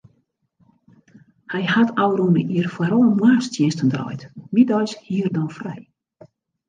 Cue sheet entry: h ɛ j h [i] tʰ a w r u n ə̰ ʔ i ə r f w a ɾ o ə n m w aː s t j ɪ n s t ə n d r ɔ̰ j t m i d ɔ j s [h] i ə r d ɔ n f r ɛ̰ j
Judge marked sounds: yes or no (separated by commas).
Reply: no, yes